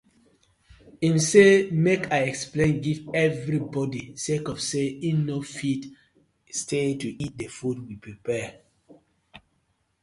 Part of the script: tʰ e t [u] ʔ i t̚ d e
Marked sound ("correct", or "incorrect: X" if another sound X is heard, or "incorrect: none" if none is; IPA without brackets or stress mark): correct